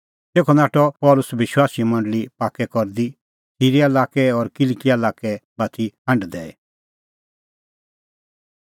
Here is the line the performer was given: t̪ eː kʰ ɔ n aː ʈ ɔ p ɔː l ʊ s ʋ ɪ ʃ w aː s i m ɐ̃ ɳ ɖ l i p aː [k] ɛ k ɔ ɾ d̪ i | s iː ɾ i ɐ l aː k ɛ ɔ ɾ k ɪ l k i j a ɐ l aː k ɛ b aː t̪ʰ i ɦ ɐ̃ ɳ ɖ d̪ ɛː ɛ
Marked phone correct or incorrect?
correct